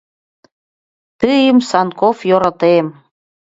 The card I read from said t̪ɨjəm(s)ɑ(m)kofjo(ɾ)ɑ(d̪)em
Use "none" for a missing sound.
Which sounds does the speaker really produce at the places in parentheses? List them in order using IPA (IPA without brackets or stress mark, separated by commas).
s, n, ɾ, t̪